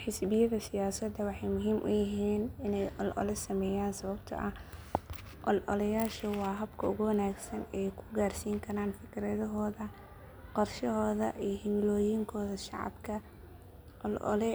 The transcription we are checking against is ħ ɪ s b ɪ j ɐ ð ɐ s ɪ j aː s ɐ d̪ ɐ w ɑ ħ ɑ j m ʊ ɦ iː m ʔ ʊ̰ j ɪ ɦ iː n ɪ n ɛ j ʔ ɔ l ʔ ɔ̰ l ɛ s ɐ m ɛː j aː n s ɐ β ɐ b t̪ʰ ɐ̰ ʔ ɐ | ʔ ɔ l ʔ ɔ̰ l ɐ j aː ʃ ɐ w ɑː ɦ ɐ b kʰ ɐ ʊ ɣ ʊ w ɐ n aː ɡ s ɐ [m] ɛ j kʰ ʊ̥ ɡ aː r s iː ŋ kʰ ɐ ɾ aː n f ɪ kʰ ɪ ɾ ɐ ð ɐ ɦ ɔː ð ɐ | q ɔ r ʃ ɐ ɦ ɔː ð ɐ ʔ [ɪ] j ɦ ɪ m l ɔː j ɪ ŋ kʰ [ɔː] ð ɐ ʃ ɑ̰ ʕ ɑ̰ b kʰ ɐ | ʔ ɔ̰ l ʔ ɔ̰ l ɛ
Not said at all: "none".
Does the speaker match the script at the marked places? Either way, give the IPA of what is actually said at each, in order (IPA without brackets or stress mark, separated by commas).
n, i, ɔː